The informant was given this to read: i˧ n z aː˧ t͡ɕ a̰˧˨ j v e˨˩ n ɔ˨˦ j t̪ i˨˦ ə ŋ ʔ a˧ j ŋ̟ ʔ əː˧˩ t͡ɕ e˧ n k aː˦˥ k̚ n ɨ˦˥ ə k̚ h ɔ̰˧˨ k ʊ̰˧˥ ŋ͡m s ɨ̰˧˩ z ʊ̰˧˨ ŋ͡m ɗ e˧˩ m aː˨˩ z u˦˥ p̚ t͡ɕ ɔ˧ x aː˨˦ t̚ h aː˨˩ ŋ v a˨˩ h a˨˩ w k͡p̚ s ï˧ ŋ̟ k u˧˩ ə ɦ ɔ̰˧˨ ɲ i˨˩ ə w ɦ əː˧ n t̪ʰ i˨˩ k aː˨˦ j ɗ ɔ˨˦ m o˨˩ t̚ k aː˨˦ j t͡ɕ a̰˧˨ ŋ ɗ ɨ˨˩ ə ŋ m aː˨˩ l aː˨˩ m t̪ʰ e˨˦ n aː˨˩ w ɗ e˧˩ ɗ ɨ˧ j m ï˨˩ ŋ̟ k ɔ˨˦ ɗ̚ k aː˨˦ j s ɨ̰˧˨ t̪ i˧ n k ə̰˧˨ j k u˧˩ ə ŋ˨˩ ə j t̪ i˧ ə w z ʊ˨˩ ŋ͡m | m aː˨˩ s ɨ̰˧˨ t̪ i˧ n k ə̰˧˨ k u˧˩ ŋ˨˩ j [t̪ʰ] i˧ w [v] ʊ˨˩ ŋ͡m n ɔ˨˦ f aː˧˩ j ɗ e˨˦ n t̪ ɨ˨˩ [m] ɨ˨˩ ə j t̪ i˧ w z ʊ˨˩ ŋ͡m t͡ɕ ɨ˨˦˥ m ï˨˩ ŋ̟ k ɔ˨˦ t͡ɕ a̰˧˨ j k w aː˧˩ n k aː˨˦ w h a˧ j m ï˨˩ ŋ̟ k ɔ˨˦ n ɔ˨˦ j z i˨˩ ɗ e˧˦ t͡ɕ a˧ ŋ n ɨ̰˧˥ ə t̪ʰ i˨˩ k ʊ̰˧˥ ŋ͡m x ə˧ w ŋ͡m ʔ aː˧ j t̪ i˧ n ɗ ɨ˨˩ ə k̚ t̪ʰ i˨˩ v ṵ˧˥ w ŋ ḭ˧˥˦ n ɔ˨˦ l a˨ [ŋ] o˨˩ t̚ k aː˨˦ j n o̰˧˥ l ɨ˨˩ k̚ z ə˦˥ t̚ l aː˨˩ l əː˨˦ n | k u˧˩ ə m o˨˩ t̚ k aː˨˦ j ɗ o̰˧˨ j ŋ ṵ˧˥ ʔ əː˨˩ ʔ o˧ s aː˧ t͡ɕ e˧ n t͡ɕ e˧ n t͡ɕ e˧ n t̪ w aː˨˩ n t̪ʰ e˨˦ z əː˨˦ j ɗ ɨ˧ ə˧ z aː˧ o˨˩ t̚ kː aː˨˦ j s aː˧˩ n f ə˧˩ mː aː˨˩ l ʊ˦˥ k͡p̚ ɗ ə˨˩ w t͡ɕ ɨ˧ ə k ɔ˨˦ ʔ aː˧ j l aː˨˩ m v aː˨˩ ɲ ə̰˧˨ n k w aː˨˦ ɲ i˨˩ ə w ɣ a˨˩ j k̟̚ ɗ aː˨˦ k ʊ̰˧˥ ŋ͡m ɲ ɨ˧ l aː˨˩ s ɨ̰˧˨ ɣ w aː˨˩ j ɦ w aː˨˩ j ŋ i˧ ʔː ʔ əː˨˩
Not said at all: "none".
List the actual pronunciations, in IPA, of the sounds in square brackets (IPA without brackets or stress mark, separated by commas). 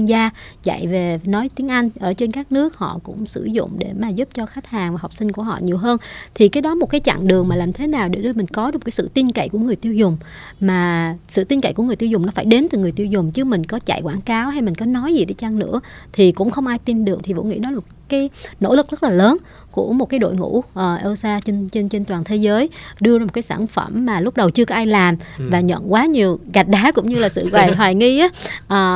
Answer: t̪, z, ŋ, m